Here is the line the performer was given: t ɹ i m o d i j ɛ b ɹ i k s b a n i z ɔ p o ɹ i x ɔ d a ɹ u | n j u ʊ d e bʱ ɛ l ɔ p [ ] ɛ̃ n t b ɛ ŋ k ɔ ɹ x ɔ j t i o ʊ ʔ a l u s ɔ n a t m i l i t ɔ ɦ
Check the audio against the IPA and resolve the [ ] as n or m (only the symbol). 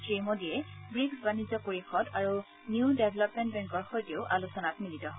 m